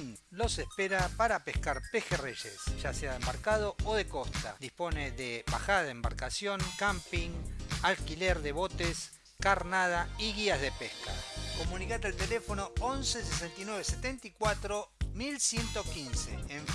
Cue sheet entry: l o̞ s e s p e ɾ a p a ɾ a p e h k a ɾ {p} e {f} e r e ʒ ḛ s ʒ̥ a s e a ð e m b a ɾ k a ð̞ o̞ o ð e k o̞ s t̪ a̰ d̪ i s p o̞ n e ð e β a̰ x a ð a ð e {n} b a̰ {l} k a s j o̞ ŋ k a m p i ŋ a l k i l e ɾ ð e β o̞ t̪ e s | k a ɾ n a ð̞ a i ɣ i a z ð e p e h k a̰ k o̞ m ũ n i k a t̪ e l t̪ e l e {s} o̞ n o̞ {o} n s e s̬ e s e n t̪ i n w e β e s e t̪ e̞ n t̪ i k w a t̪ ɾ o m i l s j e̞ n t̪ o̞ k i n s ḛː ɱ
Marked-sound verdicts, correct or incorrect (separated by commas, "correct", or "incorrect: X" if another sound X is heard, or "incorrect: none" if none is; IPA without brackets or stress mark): correct, incorrect: x, incorrect: m, incorrect: ɾ, incorrect: f, correct